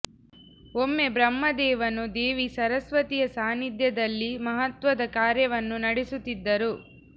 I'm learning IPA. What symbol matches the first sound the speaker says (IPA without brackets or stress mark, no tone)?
o